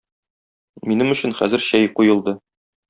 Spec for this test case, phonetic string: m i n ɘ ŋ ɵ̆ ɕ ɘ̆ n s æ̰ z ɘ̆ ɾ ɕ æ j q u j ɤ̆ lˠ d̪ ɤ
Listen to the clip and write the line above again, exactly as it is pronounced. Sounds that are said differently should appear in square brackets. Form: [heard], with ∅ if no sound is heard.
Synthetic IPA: m i n ɘ [m] ɵ̆ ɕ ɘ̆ n [χ] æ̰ z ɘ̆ ɾ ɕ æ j q u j ɤ̆ lˠ d̪ ɤ